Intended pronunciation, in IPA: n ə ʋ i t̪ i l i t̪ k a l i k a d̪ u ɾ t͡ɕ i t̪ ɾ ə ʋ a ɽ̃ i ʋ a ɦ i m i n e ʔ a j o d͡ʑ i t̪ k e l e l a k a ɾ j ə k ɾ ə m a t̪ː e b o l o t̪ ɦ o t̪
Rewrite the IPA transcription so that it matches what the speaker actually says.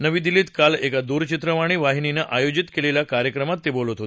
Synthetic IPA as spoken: n ə ʋ i d̪ i l i t̪ k a l e k a d̪ u ɾ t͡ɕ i t̪ ɾ ə ʋ a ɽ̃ i ʋ a ɦ i n i n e ʔ a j o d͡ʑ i t̪ k e l e l a k a ɾ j ə k ɾ ə m a t̪ː e b o l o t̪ ɦ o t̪